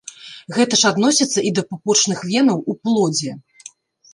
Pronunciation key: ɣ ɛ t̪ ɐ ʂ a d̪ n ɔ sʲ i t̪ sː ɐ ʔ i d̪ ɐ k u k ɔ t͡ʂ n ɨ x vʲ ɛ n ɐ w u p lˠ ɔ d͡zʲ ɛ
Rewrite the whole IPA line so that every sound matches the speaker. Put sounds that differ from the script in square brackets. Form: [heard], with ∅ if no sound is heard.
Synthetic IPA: ɣ ɛ t̪ ɐ ʂ a d̪ n ɔ sʲ i t̪ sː ɐ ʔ i d̪ ɐ [p] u [p] ɔ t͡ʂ n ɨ x vʲ ɛ n ɐ w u p lˠ ɔ d͡zʲ ɛ